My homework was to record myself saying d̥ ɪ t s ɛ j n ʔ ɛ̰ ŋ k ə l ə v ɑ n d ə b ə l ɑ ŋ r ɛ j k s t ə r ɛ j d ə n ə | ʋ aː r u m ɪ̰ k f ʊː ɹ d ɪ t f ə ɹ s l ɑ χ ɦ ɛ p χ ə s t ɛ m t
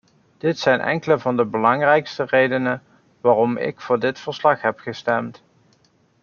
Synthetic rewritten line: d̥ ɪ t s ɛ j n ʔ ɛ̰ ŋ k ə l ə v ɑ n d ə b ə l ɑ ŋ r ɛ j k s t ə r e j d ə n ə | ʋ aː r ɔ m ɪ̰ k f ʊː ɹ d ɪ t f ə ɹ s l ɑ χ ɦ ɛ p χ ə s t ɛ m t